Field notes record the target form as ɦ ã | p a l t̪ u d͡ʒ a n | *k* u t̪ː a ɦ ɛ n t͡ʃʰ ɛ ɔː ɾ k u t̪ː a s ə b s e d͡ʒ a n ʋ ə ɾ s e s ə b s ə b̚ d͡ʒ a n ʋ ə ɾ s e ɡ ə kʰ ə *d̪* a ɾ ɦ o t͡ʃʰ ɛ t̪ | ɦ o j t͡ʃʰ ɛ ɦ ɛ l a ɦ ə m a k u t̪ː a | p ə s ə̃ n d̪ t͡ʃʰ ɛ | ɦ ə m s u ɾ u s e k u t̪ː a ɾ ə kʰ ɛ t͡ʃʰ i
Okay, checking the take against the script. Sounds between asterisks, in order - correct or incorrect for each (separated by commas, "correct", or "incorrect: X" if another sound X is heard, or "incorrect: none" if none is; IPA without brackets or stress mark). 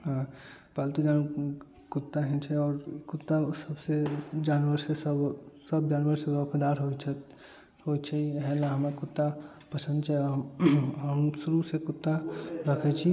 correct, correct